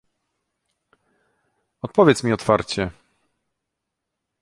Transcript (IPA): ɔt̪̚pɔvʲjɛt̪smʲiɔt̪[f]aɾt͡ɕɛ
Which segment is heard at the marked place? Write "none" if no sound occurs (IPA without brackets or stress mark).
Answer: f